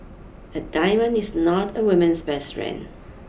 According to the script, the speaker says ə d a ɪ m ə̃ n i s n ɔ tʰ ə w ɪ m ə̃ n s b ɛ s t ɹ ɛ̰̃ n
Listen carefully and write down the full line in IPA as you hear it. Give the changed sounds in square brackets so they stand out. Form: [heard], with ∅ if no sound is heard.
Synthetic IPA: ə d a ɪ m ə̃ n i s n ɔ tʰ ə w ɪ m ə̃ n s b ɛ s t ɹ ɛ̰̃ n